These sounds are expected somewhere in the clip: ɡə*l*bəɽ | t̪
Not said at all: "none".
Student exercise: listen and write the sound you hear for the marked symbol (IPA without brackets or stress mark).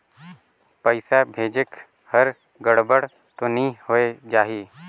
ɽ